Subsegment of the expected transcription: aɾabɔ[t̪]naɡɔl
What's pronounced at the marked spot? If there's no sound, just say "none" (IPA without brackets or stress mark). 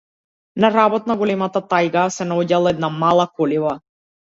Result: t̪